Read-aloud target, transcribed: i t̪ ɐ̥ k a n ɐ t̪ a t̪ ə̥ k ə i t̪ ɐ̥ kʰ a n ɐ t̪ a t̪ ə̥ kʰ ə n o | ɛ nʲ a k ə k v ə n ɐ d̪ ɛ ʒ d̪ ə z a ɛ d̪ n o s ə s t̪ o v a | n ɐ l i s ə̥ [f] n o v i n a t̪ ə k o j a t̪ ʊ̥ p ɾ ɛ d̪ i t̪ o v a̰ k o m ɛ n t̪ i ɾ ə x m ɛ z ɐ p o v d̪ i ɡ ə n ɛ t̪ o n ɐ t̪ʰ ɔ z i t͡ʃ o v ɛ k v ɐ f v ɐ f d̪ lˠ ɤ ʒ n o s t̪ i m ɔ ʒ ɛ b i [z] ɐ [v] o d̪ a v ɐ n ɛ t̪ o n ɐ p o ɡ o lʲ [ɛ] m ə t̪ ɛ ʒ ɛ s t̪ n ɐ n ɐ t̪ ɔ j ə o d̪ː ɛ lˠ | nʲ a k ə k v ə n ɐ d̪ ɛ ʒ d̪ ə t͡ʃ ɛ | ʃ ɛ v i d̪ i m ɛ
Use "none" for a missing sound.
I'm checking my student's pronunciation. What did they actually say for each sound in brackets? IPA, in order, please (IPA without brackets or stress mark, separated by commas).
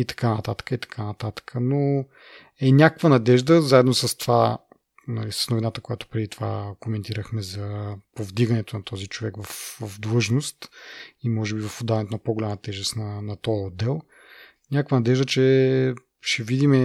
s, v, f, a